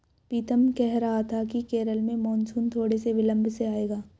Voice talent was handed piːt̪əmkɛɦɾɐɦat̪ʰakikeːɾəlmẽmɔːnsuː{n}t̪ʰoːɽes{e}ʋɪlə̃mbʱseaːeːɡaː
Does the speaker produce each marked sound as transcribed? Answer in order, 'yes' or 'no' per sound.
yes, yes

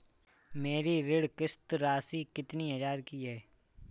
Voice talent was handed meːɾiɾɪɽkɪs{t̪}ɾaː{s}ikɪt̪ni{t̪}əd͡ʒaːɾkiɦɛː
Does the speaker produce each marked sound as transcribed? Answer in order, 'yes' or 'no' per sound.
yes, yes, no

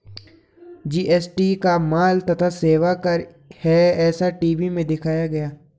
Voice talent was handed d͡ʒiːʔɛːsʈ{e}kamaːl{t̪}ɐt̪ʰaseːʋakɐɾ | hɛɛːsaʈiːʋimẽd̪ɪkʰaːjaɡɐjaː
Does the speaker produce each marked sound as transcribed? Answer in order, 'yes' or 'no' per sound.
no, yes

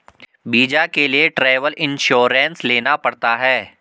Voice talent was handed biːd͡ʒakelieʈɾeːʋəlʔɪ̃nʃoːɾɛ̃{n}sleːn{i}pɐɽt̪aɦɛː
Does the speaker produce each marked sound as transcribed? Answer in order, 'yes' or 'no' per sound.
yes, no

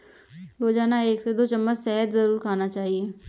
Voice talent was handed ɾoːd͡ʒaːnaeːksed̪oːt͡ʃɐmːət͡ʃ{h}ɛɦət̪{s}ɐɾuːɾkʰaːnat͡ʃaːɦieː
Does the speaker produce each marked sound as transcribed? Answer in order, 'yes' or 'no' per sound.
no, no

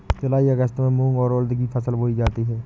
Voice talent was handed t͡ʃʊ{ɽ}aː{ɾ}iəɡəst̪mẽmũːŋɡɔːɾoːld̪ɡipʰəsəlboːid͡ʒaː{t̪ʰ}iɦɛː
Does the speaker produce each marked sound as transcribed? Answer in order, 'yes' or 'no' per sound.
no, no, no

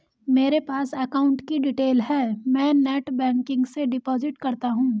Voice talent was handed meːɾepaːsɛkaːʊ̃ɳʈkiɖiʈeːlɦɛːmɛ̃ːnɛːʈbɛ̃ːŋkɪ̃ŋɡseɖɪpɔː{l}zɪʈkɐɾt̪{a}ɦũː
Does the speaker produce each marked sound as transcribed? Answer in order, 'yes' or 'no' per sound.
no, yes

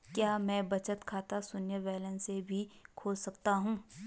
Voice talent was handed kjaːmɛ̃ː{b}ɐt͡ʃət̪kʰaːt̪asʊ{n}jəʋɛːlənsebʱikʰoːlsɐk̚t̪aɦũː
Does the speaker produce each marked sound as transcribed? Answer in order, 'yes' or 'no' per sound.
yes, yes

